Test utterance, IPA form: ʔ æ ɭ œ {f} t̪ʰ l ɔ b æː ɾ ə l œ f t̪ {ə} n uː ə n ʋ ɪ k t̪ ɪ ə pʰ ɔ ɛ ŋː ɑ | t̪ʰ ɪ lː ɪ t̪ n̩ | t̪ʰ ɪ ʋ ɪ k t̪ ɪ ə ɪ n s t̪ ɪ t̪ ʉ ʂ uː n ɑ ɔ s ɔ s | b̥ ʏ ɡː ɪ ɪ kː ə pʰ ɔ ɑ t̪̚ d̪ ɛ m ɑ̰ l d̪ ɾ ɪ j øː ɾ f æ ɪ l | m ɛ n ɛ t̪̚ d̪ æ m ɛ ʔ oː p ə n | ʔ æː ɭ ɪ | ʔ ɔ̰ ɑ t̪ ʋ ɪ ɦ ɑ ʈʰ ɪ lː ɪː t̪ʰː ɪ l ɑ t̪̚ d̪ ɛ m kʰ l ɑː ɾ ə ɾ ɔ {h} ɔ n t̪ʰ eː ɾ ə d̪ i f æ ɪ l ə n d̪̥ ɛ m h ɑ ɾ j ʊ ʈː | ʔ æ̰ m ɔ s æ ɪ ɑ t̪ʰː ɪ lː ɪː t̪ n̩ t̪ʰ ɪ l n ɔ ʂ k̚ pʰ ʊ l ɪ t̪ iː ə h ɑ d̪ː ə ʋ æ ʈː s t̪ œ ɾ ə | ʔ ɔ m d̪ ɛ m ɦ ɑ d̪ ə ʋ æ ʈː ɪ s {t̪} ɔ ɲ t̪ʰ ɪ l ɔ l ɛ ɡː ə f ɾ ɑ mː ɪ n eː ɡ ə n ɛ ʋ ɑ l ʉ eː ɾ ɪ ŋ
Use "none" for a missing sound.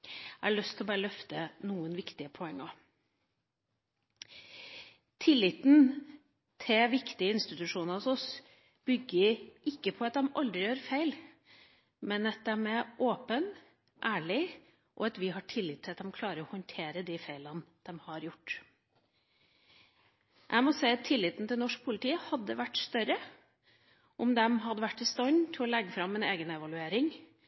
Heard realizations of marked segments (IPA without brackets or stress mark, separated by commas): s, ə, h, t̪